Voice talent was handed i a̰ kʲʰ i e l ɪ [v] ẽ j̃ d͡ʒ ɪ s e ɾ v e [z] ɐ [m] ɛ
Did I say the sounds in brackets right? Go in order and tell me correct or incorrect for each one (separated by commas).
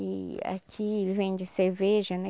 correct, incorrect, incorrect